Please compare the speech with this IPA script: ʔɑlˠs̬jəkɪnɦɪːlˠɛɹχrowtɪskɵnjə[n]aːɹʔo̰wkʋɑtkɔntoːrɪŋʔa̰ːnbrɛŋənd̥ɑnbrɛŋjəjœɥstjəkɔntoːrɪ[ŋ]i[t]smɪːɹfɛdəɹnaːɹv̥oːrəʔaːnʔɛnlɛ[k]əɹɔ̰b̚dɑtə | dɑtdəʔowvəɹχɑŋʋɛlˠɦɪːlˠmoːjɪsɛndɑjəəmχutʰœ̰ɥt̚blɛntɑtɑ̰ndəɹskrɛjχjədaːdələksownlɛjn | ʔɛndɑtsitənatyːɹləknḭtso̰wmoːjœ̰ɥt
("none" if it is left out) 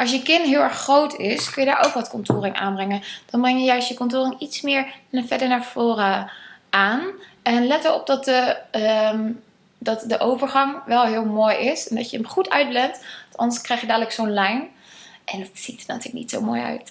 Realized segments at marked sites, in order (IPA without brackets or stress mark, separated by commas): d, ŋ, t, t